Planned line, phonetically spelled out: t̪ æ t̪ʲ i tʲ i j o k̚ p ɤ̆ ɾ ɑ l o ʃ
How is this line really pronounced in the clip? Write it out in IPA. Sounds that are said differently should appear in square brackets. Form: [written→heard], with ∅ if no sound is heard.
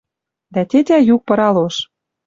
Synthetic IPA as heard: [t̪→d̪] æ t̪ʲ [i→e] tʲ [i→æ] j [o→u] k̚ p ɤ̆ ɾ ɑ l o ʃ